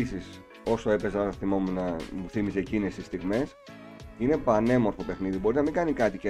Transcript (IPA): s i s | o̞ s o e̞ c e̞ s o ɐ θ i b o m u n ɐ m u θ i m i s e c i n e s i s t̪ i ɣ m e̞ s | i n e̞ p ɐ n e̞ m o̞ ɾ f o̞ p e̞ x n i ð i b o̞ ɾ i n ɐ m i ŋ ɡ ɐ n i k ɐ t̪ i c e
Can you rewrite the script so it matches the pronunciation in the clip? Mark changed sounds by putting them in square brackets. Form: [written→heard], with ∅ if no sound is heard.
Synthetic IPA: s i s | o̞ s o e̞ [c→p] e̞ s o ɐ θ i [b→m] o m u n ɐ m u θ i m i s e c i n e s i s t̪ i ɣ m e̞ s | i n e̞ p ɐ n e̞ m o̞ ɾ f o̞ p e̞ x n i ð i b o̞ ɾ i n ɐ m i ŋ ɡ ɐ n i k ɐ t̪ i c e